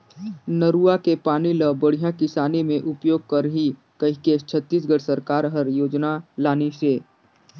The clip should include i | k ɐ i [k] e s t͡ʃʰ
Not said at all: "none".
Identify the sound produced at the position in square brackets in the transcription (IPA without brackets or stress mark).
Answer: k